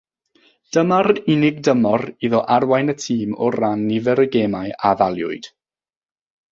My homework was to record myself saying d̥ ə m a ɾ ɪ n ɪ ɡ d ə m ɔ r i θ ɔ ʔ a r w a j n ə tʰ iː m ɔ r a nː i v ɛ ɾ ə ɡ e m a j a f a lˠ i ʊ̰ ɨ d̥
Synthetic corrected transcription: d̥ ə m a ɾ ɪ n ɪ ɡ d ə m ɔ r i ð ɔ ʔ a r w a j n ə tʰ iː m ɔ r a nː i v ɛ ɾ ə ɡ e m a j a v a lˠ j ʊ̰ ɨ d̥